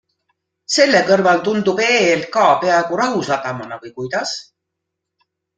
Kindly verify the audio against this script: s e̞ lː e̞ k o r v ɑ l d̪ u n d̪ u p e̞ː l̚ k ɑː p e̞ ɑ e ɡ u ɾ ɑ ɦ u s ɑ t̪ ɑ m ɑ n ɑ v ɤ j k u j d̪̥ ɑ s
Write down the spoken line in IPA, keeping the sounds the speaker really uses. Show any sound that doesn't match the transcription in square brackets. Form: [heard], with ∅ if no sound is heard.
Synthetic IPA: s e̞ lː e̞ k [ɤ] r v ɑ l [t̪] u n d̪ u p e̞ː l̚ k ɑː p e̞ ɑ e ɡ u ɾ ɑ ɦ u s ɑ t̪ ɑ m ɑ n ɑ v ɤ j k u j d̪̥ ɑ s